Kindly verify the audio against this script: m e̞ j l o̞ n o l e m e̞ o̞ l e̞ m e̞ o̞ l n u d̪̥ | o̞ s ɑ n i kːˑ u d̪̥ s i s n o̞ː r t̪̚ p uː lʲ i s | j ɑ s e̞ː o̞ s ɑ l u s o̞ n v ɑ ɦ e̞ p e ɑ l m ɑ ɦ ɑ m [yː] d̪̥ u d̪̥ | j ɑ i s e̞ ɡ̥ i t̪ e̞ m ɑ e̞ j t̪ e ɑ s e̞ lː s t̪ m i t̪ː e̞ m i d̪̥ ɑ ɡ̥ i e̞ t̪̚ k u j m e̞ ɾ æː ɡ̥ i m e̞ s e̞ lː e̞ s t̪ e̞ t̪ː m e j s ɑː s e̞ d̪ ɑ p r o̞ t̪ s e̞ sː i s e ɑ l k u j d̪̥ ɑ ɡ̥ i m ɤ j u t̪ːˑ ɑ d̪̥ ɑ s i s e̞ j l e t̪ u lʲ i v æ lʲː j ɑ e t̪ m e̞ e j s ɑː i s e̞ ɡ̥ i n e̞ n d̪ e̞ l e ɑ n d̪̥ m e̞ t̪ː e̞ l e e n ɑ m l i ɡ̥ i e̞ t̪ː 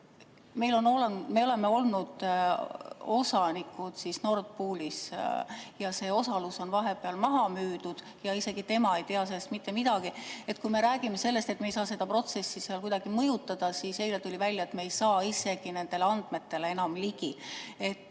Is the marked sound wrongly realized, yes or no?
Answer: no